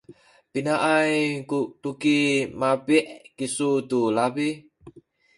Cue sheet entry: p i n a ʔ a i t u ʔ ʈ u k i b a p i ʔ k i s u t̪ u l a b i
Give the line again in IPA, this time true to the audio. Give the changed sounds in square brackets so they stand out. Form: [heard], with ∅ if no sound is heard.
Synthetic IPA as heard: p i n a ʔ a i [k] u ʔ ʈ u k i [m] a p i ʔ k i s u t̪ u l a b i